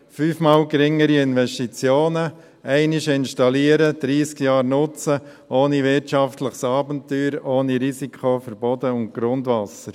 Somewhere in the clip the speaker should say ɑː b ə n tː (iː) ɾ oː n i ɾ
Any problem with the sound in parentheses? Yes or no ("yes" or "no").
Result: yes